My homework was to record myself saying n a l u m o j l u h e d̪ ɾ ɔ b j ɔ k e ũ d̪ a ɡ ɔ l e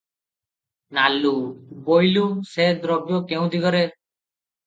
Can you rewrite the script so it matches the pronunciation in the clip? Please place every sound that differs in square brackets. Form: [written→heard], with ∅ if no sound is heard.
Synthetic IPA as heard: n a l u [m→b] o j l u [h→s] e d̪ ɾ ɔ b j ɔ k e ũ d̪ [a→i] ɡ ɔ [l→ɾ] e